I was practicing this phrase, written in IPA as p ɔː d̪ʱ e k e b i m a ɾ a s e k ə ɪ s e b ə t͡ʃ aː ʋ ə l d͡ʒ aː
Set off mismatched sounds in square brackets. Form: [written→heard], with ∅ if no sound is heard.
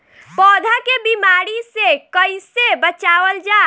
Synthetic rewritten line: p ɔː d̪ʱ [e→a] k e b i m a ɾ [a→i] s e k ə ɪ s e b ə t͡ʃ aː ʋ ə l d͡ʒ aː